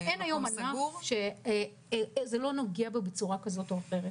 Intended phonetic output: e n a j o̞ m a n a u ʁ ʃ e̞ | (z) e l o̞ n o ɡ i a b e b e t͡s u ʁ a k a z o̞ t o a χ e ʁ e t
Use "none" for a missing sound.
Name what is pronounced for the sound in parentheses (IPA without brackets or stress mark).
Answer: z